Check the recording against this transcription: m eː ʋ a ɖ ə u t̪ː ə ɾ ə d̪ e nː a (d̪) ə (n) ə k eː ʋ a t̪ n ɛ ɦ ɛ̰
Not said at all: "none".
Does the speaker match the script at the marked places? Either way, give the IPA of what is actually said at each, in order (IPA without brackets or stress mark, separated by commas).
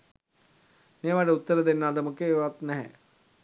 d̪, m